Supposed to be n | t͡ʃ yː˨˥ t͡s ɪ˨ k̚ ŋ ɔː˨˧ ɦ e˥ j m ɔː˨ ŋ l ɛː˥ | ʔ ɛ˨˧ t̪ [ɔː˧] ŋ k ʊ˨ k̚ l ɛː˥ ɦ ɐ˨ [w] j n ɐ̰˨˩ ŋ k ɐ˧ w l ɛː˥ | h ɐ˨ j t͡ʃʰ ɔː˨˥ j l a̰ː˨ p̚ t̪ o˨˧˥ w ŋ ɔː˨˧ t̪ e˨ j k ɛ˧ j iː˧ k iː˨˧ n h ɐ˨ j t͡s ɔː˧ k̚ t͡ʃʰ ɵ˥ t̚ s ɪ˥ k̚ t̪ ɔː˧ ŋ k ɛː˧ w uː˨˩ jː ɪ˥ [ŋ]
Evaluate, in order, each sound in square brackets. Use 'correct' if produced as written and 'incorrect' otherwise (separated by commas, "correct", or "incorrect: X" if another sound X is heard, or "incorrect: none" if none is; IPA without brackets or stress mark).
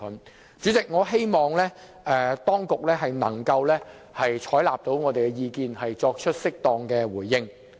incorrect: ɔː˥, incorrect: none, correct